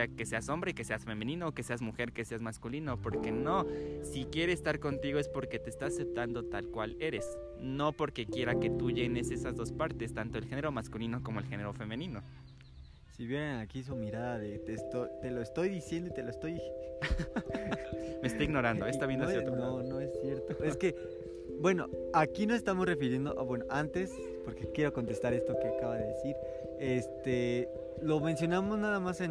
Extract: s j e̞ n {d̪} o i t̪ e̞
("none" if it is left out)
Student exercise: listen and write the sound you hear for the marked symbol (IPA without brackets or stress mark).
d̪